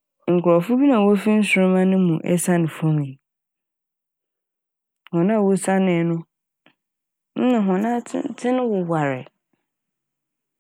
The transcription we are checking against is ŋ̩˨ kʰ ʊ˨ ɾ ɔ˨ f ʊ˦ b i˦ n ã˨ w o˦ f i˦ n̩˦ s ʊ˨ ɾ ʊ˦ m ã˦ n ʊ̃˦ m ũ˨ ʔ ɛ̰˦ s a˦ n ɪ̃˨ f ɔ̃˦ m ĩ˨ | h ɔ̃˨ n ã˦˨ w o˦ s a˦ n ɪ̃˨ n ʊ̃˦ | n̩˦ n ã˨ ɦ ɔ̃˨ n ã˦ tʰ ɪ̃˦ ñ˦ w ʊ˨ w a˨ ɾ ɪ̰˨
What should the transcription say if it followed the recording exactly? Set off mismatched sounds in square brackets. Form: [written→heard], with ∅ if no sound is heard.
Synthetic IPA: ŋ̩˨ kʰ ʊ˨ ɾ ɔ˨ f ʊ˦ b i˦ n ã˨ w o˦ f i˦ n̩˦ s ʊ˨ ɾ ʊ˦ m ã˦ n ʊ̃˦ m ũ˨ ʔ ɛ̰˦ s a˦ n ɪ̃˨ f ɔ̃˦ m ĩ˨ | h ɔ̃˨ n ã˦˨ w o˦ s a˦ n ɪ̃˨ n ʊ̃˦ | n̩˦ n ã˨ ɦ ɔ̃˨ n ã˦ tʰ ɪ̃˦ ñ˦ w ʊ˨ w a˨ ɾ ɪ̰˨